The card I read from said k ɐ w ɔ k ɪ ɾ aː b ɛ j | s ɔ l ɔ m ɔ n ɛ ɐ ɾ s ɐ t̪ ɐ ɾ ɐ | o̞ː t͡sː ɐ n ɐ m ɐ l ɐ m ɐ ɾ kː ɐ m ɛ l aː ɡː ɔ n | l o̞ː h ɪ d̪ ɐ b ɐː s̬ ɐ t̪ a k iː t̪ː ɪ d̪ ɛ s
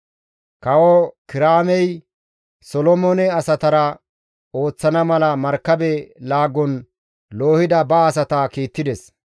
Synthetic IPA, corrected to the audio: k ɐ w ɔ k ɪ ɾ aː m ɛ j | s ɔ l ɔ m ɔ n ɛ ɐ s ɐ t̪ ɐ ɾ ɐ | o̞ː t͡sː ɐ n ɐ m ɐ l ɐ m ɐ ɾ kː ɐ b ɛ l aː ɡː ɔ n | l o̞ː h ɪ d̪ ɐ b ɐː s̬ ɐ t̪ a k iː t̪ː ɪ d̪ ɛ s